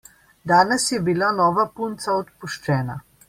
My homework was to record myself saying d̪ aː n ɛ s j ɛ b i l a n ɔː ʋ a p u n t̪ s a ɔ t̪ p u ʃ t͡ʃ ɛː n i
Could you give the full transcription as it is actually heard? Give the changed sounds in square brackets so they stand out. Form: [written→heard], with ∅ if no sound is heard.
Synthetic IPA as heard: d̪ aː n ɛ s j ɛ b i l a n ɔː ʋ a p u n t̪ s a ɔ t̪ p u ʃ t͡ʃ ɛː n [i→a]